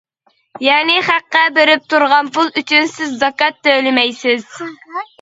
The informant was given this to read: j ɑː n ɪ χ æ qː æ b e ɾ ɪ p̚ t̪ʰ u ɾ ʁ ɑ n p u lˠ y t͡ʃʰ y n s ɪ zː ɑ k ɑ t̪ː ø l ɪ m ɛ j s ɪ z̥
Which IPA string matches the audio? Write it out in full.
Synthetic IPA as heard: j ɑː n ɪ χ æ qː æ b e ɾ ɪ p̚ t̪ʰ u ɾ ʁ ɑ n p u lˠ y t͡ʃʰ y n s ɪ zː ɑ k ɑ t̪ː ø l ɪ m ɛ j s ɪ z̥